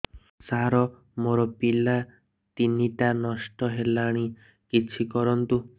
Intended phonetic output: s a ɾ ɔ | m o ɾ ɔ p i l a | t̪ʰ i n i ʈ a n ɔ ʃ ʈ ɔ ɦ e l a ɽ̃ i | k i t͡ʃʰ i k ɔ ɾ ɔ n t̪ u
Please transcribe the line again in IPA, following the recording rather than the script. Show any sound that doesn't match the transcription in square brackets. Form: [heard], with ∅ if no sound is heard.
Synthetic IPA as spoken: s a ɾ ɔ | m o ɾ ɔ p i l a | [t̪] i n i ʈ a n ɔ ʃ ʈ ɔ ɦ e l a ɽ̃ i | k i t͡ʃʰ i k ɔ ɾ ɔ n t̪ u